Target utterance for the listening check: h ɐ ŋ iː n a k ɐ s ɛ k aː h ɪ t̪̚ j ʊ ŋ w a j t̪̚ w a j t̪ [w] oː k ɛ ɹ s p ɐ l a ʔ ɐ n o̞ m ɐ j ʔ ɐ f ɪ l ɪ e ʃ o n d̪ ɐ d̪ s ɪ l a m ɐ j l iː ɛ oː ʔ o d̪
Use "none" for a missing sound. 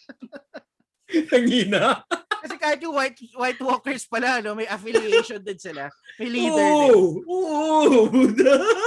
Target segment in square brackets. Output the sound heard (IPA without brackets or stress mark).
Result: w